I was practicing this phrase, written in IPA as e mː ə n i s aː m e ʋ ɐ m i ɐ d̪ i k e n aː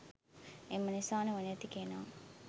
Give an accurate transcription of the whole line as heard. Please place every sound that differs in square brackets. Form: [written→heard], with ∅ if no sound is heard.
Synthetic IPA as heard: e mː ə n i s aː [m→n] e ʋ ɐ [m→n] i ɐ [d̪→t̪] i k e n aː